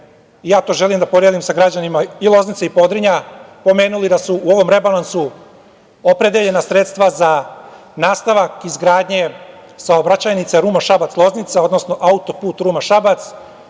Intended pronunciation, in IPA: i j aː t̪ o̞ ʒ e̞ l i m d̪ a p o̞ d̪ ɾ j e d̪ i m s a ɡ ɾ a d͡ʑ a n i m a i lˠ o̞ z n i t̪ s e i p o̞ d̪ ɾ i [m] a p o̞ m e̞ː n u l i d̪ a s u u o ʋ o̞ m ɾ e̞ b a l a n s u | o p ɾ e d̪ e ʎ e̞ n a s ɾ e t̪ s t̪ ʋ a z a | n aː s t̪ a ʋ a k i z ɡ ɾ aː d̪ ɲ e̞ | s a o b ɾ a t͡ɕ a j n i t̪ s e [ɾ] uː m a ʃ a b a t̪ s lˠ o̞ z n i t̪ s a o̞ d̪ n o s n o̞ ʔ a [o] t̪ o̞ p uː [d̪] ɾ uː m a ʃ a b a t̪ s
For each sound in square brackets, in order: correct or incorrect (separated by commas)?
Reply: incorrect, correct, incorrect, incorrect